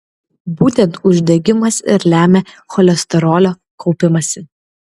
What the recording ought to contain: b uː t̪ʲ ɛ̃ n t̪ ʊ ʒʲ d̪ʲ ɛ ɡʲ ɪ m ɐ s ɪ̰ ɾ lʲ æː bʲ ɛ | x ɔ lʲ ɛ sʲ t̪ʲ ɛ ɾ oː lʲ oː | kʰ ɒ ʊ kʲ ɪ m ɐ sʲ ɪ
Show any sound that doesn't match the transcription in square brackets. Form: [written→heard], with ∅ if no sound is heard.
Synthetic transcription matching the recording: b uː t̪ʲ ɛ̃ n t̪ ʊ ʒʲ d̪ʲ ɛ ɡʲ ɪ m ɐ s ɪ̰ ɾ lʲ æː [bʲ→mʲ] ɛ | x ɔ lʲ ɛ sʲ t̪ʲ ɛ ɾ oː lʲ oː | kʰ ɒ ʊ [kʲ→pʲ] ɪ m ɐ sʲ ɪ